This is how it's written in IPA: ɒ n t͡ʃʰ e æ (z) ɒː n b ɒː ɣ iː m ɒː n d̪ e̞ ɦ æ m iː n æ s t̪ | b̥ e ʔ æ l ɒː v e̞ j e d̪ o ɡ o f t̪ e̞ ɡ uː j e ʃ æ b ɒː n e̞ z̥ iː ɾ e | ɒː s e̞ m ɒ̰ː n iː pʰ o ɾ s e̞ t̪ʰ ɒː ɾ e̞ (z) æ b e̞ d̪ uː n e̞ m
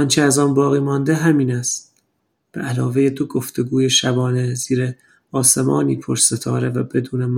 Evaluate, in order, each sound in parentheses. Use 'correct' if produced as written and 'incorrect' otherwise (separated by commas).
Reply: correct, incorrect